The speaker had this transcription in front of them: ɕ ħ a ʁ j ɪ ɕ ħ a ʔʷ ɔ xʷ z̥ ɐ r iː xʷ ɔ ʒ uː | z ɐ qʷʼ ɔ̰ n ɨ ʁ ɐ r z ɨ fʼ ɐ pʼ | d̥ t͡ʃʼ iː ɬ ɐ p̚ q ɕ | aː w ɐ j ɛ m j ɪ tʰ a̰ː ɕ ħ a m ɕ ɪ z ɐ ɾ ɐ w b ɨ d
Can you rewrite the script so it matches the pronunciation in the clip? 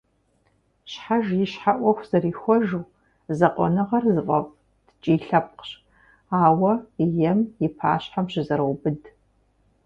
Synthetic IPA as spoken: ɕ ħ a ʒ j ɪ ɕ ħ a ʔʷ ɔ xʷ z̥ ɐ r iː xʷ ɔ ʒ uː | z ɐ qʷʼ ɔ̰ n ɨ ʁ ɐ r z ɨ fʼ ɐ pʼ | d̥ t͡ʃʼ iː ɬ ɐ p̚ q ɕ | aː w ɐ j ɛ m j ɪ pʰ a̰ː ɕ ħ a m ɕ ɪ z ɐ ɾ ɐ w b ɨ d

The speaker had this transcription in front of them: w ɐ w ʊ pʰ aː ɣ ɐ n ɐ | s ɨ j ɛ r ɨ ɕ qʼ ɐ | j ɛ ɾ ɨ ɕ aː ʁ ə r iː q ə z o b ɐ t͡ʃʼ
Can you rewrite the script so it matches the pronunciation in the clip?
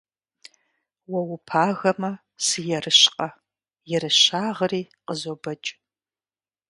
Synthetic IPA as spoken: w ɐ w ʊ pʰ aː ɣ ɐ m ɐ | s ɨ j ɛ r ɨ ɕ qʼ ɐ | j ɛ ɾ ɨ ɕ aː ʁ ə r iː q ə z o b ɐ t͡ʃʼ

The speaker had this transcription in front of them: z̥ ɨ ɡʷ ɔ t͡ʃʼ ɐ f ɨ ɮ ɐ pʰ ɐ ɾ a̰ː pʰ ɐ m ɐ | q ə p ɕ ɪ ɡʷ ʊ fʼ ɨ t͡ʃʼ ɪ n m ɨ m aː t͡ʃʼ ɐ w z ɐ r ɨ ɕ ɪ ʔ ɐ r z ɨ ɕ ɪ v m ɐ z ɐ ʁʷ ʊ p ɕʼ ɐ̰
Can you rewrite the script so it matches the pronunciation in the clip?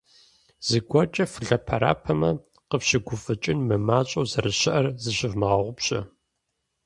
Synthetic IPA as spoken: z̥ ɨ ɡʷ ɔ t͡ʃʼ ɐ f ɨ ɮ ɐ pʰ ɐ ɾ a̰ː pʰ ɐ m ɐ | q ə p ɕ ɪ ɡʷ ʊ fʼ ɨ t͡ʃʼ ɪ n m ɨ m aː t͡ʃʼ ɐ w z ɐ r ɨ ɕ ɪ ʔ ɐ r z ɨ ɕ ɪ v m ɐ ʁ ɐ ʁʷ ʊ p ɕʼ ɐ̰

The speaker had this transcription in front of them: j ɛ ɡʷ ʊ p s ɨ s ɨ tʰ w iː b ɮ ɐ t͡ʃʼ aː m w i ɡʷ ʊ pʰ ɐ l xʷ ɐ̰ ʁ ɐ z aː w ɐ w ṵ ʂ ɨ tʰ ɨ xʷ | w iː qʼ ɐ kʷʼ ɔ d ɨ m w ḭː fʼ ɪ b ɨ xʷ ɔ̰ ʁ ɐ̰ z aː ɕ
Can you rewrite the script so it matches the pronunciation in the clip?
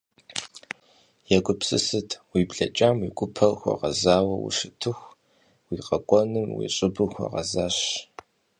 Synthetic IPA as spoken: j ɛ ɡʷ ʊ p s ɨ s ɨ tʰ w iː b ɮ ɐ t͡ʃʼ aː m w i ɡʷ ʊ pʰ ɐ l xʷ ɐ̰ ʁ ɐ z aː w ɐ w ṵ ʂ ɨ tʰ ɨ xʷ | w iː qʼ ɐ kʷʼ ɔ n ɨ m w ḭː ɕʼ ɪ b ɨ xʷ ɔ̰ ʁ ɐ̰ z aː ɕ

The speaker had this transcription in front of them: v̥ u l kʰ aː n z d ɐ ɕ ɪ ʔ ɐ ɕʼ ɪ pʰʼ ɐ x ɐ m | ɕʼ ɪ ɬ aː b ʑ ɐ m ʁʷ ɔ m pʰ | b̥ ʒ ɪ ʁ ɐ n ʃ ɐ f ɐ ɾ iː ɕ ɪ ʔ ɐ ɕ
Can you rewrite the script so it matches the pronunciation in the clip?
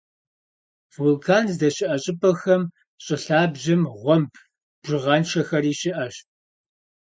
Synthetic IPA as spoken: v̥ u l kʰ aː n z d ɐ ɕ ɪ ʔ ɐ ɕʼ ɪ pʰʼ ɐ x ɐ m | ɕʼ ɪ ɬ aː b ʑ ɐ m ʁʷ ɔ m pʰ | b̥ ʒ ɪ ʁ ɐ n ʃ ɐ x ɐ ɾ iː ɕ ɪ ʔ ɐ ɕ

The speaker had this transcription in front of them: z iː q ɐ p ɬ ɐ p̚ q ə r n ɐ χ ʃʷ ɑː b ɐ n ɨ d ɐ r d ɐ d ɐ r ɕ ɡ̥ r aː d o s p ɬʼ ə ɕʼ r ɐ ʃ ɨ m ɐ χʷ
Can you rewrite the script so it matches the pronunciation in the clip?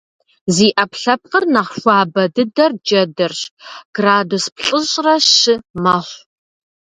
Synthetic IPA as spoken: z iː ʔ ɐ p ɬ ɐ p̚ q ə r n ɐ χ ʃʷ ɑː b ɐ d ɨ d ɐ r d͡ʒ ɐ d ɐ r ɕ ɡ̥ r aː d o s p ɬʼ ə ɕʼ r ɐ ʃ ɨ m ɐ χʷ

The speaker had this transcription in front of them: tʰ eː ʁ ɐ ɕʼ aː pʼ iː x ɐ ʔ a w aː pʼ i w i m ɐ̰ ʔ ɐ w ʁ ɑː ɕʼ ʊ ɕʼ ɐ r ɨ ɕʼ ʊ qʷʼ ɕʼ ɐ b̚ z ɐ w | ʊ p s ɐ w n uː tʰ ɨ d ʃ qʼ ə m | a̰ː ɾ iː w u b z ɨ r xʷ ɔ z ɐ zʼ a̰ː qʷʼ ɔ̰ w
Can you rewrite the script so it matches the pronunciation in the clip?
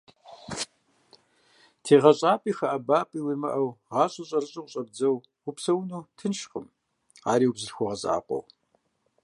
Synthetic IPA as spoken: tʰ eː ʁ ɐ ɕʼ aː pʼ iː x ɐ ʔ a b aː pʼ i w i m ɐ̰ ʔ ɐ w ʁ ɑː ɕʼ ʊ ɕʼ ɐ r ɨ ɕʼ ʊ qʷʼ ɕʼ ɐ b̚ d͡z ɐ w | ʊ p s ɐ w n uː tʰ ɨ n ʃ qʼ ə m | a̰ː ɾ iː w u b z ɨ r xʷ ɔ ʁ ɐ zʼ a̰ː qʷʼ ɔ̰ w

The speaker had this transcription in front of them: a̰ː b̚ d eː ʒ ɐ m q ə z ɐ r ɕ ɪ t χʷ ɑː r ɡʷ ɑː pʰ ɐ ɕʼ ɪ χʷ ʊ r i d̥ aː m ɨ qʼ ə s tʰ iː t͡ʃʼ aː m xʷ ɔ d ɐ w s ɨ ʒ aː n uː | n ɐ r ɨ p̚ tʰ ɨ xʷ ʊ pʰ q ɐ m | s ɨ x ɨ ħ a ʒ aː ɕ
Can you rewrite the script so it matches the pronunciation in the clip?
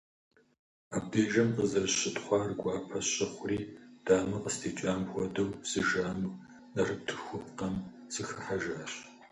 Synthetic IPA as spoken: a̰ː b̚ d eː ʒ ɐ m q ə z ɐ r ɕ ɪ t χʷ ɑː r ɡʷ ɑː pʰ ɐ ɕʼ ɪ χʷ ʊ r iː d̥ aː m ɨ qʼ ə s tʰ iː t͡ʃʼ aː m xʷ ɔ d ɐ w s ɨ ʒ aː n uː | n ɐ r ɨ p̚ tʰ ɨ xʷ ʊ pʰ q ɐ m | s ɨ x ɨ ħ a ʒ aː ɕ

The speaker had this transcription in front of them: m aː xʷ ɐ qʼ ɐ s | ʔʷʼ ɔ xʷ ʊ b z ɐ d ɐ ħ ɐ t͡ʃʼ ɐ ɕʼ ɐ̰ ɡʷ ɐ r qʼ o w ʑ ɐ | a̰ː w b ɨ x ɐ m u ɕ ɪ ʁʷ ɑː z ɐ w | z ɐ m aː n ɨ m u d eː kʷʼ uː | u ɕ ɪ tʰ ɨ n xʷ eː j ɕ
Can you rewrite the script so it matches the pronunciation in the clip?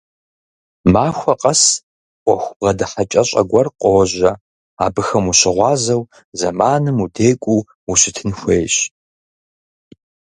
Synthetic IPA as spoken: m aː xʷ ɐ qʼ ɐ s | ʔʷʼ ɔ xʷ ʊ b ʁ ɐ d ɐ ħ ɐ t͡ʃʼ ɐ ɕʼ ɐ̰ ɡʷ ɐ r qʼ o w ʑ ɐ | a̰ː b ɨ x ɐ m u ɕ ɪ ʁʷ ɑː z ɐ w | z ɐ m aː n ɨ m u d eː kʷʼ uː | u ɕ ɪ tʰ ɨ n xʷ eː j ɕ

